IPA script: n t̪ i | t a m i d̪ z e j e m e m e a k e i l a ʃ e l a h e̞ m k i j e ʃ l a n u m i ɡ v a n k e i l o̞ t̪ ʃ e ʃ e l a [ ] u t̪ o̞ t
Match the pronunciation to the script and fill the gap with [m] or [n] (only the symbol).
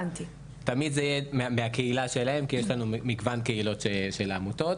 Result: m